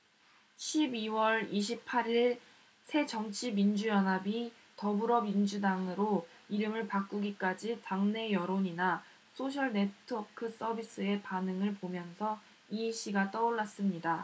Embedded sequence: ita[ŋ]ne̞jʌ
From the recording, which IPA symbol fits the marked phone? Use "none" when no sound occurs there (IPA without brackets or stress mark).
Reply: ŋ